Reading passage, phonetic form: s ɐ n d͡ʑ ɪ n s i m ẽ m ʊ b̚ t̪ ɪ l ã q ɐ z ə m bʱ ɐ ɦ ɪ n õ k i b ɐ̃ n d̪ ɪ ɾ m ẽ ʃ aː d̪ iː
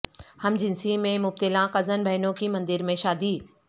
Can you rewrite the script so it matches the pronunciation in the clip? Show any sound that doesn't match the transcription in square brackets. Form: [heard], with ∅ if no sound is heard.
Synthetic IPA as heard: [h] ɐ [m] d͡ʑ ɪ n s i m ẽ m ʊ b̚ t̪ ɪ l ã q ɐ z ə [n] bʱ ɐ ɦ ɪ n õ k i [m] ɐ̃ n d̪ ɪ ɾ m ẽ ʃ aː d̪ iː